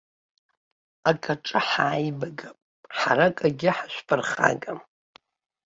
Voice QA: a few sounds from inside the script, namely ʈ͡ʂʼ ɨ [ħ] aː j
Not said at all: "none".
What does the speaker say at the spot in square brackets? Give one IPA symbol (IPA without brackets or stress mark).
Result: ħ